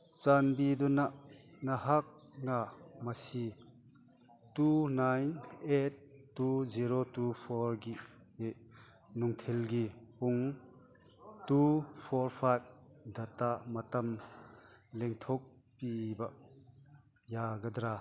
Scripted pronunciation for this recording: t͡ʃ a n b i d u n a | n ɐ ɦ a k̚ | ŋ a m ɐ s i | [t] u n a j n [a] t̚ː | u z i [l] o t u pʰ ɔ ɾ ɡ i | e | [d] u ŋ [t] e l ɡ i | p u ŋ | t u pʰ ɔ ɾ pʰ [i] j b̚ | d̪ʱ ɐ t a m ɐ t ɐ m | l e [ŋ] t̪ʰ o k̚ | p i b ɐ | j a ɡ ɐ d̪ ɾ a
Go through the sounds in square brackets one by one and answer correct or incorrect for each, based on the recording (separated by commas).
correct, incorrect, incorrect, incorrect, incorrect, incorrect, correct